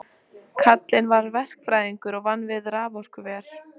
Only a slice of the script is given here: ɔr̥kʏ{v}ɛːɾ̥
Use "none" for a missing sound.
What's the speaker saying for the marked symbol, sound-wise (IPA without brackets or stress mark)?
v